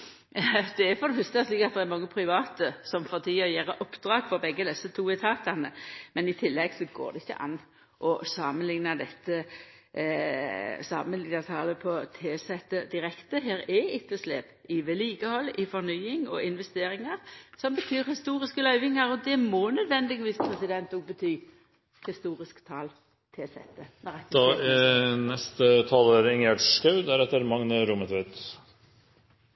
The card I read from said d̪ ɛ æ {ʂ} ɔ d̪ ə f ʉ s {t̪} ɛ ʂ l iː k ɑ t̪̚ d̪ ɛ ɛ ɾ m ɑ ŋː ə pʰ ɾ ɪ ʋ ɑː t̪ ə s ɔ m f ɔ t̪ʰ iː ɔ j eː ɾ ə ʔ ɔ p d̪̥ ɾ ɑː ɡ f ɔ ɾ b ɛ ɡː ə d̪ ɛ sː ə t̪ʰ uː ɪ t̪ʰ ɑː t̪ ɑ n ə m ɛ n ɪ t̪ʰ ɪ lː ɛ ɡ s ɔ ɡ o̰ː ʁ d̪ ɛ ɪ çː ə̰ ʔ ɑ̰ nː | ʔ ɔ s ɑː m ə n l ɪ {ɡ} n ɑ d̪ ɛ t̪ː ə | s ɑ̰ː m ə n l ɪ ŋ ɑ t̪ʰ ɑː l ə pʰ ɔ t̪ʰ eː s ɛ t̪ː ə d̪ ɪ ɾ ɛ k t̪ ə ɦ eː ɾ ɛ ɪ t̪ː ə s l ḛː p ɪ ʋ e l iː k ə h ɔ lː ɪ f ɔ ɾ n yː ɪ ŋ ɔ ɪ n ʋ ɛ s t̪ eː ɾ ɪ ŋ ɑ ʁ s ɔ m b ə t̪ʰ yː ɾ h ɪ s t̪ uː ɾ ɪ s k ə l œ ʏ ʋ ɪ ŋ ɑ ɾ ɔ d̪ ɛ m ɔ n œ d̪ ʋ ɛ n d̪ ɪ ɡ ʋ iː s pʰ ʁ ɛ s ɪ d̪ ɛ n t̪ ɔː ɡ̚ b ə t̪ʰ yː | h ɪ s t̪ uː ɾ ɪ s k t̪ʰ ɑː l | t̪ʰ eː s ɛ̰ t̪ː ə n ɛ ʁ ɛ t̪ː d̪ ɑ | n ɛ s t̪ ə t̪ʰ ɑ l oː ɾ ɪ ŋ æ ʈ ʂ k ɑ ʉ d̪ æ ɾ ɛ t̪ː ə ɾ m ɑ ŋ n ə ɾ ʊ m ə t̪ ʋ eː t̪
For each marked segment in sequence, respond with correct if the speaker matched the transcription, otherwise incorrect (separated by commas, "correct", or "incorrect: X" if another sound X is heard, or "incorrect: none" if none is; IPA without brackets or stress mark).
incorrect: f, correct, incorrect: ŋ